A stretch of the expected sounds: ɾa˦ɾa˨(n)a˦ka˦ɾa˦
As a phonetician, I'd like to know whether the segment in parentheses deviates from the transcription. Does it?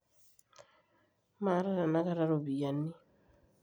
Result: no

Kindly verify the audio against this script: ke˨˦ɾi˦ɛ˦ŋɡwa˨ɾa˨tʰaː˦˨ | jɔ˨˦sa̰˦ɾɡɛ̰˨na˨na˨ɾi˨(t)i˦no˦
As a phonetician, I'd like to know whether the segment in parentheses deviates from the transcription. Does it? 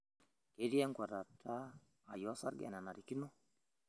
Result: yes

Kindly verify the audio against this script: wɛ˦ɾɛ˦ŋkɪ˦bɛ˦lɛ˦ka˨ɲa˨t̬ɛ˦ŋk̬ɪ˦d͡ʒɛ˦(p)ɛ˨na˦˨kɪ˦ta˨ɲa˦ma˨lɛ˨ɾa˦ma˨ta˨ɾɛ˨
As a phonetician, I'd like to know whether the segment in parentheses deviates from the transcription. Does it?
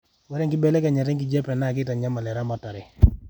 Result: no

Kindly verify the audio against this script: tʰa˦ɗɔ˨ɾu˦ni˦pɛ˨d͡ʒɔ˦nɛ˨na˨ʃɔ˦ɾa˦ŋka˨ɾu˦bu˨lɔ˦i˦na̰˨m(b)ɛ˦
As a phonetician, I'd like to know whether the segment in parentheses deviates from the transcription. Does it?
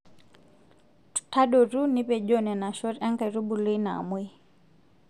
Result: yes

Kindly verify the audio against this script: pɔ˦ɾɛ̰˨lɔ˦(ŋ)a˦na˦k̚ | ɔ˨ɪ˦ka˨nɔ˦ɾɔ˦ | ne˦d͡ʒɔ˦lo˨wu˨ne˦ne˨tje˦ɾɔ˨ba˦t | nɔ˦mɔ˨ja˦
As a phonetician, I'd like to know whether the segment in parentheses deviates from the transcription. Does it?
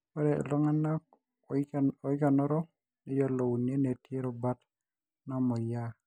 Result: no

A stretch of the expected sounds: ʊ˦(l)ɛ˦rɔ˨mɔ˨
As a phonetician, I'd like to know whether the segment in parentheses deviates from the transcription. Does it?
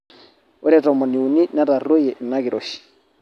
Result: yes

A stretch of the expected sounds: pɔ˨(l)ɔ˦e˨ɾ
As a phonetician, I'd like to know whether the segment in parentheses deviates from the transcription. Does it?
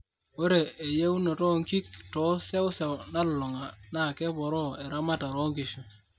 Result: yes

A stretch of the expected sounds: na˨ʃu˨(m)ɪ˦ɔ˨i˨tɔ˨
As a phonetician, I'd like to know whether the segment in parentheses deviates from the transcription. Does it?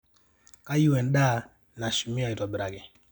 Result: no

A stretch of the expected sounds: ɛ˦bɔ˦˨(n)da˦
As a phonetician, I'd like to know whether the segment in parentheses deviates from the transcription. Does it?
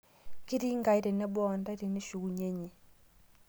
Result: no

